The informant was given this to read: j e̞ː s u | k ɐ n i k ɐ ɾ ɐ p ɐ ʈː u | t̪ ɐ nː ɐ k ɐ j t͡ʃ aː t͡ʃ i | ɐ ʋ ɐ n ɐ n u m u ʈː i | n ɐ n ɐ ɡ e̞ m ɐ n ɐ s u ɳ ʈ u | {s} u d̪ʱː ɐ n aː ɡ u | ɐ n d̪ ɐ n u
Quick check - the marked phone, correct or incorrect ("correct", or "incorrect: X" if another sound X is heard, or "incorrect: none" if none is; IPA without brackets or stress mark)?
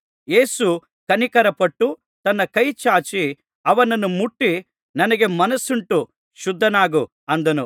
incorrect: ʃ